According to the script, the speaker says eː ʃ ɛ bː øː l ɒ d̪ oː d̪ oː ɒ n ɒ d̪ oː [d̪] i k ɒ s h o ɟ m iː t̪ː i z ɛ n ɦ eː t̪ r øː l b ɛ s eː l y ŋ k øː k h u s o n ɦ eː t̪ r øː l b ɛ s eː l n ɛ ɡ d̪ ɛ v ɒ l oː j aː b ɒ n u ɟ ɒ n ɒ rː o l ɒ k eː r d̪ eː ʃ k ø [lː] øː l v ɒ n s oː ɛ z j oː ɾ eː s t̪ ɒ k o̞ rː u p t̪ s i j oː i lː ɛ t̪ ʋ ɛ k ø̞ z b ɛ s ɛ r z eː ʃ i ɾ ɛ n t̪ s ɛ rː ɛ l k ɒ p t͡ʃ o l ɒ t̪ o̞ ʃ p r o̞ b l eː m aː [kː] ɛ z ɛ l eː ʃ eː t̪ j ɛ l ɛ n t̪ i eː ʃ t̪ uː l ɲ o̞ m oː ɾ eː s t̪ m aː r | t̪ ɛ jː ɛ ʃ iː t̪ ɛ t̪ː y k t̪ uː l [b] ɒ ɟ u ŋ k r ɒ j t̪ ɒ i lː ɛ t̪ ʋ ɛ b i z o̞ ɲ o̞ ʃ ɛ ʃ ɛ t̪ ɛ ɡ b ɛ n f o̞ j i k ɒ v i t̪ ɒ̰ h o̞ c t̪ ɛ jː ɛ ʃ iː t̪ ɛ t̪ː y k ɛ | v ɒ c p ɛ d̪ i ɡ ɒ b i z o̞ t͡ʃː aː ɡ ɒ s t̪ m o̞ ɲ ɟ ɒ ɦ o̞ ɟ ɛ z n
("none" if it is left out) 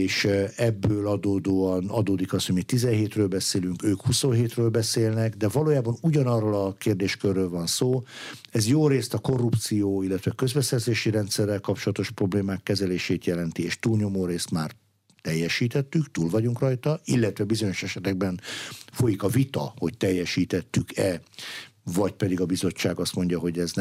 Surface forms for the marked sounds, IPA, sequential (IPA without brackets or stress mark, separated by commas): d̪, rː, kː, v